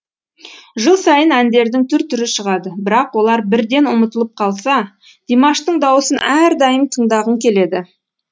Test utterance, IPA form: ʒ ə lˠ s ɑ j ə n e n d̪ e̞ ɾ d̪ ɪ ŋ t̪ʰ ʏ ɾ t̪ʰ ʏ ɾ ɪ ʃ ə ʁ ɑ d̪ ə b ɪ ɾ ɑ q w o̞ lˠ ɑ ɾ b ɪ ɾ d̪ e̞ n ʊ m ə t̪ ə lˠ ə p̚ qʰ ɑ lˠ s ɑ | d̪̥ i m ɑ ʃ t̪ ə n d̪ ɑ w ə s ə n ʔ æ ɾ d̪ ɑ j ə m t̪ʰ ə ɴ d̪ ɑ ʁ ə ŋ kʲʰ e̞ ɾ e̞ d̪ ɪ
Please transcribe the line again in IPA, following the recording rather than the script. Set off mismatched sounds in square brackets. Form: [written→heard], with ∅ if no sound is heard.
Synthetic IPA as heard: ʒ ə lˠ s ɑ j ə n [e→æ] n d̪ e̞ ɾ d̪ ɪ ŋ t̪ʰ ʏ ɾ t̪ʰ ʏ ɾ ɪ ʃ ə ʁ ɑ d̪ ə b ɪ ɾ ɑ q w o̞ lˠ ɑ ɾ b ɪ ɾ d̪ e̞ n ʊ m ə t̪ ə lˠ ə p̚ qʰ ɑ lˠ s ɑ | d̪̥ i m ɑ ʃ t̪ ə [n→ɴ] d̪ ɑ w ə s ə n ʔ æ ɾ d̪ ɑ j ə m t̪ʰ ə ɴ d̪ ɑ ʁ ə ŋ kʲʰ e̞ [ɾ→l] e̞ d̪ ɪ